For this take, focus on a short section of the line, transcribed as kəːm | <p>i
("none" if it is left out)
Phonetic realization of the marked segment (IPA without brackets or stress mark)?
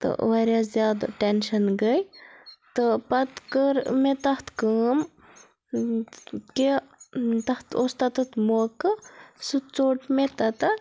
k